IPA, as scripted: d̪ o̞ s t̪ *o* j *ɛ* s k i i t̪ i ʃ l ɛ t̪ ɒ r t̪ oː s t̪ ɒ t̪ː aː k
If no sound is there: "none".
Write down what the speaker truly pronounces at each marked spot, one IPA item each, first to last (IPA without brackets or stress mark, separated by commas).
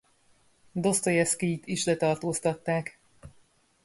o, ɛ